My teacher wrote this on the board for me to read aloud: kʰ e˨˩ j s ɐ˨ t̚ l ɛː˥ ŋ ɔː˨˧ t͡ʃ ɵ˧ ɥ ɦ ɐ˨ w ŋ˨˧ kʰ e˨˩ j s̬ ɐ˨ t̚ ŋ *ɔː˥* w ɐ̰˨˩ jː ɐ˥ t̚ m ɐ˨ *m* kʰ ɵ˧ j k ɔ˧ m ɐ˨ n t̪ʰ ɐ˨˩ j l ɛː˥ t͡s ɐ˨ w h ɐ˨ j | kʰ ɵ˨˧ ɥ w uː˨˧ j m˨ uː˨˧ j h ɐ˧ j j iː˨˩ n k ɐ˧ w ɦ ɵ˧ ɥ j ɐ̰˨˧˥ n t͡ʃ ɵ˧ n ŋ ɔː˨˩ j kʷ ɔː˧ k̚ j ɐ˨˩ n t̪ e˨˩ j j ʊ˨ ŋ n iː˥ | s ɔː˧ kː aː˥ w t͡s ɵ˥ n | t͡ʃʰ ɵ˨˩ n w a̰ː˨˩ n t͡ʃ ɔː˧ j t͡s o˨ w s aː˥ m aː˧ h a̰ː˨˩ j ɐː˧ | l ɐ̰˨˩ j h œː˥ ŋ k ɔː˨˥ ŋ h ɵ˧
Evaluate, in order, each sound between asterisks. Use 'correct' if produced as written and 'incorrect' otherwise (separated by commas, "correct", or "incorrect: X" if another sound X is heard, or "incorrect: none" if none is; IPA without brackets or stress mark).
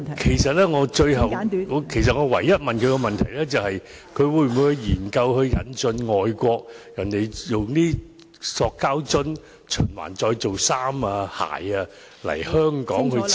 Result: incorrect: ɔː˨˧, incorrect: n